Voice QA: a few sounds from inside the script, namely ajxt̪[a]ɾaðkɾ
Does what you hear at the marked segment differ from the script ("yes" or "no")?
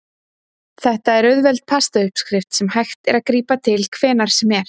yes